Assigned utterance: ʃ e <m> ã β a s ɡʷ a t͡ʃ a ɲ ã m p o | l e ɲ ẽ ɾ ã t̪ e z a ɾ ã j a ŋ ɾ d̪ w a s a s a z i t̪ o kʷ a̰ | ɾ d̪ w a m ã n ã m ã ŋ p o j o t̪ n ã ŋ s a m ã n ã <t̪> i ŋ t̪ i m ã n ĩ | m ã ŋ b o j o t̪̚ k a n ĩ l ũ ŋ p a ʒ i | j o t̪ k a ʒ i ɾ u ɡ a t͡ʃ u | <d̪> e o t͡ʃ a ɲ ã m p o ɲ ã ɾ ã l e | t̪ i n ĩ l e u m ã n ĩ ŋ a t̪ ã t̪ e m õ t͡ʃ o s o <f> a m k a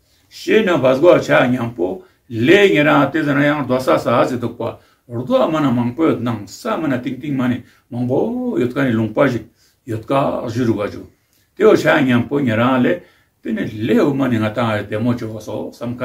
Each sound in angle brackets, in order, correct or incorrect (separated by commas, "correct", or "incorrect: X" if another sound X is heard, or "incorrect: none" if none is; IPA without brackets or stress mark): incorrect: n, correct, incorrect: t̪, incorrect: s